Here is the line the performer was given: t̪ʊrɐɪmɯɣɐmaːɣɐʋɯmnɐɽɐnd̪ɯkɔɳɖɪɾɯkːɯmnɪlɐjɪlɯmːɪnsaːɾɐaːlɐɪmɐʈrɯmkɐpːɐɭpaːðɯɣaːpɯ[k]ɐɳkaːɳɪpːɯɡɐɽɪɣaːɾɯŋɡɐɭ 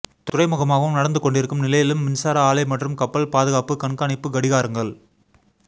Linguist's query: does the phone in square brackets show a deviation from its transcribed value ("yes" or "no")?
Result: no